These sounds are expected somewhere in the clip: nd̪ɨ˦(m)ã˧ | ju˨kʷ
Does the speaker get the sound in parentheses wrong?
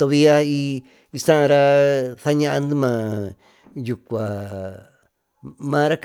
no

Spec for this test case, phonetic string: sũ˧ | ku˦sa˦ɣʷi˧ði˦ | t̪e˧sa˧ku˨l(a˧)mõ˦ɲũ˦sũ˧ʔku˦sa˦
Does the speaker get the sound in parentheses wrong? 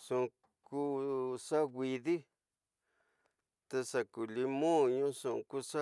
yes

